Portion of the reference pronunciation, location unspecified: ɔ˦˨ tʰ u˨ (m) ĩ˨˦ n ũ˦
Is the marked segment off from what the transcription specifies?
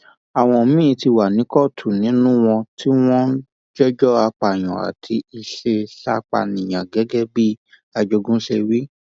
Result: yes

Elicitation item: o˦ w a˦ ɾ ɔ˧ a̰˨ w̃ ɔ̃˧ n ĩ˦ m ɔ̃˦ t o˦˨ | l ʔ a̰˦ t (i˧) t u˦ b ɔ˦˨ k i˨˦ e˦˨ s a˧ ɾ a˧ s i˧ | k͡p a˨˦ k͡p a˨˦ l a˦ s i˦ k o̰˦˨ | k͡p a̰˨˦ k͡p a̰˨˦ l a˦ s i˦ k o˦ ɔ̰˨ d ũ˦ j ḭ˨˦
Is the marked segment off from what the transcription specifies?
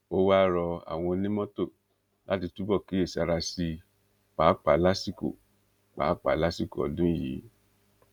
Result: no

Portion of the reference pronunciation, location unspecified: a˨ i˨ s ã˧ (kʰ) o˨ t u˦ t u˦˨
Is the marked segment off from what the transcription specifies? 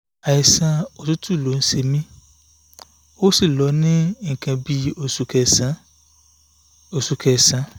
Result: yes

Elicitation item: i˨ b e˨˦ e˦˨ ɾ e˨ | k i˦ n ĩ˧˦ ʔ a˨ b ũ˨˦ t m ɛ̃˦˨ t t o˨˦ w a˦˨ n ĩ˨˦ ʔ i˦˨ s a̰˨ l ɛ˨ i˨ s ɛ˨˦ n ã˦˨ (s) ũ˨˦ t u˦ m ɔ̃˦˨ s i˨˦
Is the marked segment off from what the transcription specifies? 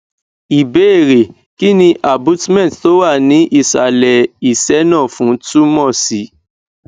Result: yes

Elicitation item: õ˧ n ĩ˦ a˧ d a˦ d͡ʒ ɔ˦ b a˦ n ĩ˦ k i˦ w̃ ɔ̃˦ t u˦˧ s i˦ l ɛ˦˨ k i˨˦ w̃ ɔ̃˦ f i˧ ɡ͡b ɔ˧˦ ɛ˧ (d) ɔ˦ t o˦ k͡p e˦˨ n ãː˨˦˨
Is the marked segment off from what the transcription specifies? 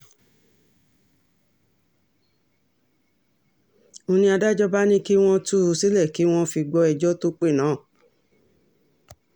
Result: yes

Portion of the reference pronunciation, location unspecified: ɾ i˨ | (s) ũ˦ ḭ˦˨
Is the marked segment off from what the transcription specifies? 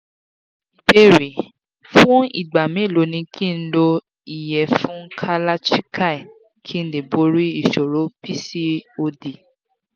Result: yes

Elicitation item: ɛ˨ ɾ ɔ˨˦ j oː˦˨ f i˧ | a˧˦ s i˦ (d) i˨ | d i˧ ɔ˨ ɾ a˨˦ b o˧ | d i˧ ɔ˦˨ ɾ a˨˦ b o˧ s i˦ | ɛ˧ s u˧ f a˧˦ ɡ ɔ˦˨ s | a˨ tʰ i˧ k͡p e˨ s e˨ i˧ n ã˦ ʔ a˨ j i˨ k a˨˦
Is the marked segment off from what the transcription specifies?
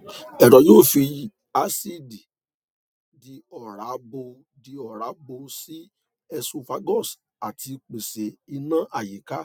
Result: no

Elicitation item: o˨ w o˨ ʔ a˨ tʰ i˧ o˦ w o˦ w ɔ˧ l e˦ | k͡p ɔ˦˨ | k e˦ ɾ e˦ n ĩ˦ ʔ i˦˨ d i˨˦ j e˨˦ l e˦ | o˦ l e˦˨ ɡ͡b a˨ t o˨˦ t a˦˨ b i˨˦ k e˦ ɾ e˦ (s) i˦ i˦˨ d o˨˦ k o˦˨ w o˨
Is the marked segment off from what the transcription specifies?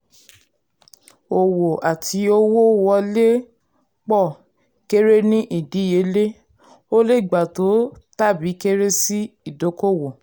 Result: no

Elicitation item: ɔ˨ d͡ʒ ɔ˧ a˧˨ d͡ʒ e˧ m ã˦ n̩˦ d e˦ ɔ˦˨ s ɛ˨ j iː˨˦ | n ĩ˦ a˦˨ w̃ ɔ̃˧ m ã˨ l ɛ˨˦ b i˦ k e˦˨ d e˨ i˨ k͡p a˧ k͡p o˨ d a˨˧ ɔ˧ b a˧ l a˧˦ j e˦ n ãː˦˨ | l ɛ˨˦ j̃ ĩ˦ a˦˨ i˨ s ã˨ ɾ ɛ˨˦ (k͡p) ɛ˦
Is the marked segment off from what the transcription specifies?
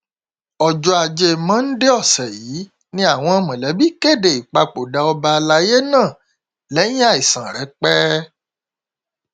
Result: no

